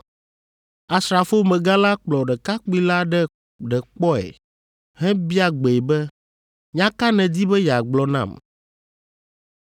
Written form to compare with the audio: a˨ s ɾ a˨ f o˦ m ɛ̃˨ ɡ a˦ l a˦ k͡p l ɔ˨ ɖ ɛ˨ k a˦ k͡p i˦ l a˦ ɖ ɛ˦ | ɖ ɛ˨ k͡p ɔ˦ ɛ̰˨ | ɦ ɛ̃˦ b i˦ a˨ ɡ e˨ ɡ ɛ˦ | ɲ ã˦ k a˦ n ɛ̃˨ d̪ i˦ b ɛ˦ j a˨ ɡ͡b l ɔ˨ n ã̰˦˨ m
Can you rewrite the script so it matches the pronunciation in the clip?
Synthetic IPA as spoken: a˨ s ɾ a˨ f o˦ m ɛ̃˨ ɡ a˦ l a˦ k͡p l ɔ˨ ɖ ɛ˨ k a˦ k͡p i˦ l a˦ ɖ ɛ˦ | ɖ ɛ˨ k͡p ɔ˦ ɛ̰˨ | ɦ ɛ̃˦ b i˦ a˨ ɡ͡b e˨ b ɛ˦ | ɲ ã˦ k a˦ n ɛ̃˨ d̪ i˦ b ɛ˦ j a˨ ɡ͡b l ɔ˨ n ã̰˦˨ m